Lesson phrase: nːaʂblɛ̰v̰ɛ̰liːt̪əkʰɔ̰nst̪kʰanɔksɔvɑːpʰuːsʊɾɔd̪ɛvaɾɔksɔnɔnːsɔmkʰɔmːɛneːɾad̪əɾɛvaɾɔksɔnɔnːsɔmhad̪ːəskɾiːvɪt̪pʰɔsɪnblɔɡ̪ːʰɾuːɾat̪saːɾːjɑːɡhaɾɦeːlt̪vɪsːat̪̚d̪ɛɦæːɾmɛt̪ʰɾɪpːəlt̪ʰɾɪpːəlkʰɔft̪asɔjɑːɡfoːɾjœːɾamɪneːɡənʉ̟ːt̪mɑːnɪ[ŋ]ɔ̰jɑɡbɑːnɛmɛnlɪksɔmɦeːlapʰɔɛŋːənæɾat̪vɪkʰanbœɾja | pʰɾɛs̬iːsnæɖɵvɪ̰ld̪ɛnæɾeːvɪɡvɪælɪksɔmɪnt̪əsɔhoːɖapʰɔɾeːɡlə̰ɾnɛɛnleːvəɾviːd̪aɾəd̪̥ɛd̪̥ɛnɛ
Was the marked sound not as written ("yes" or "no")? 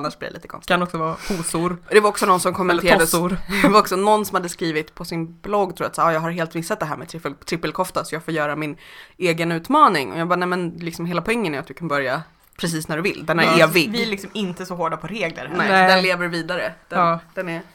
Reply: no